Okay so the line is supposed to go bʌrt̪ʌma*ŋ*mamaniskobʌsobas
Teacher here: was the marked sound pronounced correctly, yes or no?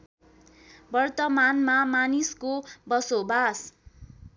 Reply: no